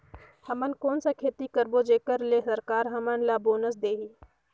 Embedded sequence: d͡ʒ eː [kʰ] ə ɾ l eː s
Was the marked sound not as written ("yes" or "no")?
yes